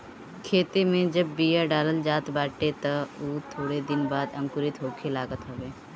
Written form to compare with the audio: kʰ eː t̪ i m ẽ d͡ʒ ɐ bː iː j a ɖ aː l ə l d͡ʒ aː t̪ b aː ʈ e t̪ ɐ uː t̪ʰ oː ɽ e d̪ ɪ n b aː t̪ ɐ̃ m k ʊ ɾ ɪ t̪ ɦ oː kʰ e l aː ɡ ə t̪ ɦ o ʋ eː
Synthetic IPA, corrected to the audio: kʰ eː t̪ e m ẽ d͡ʒ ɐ bː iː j a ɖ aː l ə l d͡ʒ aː t̪ b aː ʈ e t̪ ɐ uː t̪ʰ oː ɽ e d̪ ɪ n b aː d̪ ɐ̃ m k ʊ ɾ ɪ t̪ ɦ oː kʰ e l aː ɡ ə t̪ ɦ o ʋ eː